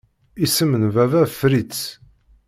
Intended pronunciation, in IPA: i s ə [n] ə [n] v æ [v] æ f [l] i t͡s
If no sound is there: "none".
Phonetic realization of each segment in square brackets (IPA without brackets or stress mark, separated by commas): m, n, v, ɾ